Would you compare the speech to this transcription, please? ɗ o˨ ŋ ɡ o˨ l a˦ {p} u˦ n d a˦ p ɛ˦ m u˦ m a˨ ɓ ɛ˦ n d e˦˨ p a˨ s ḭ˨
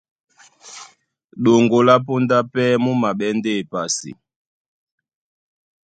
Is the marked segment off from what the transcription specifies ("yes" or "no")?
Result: no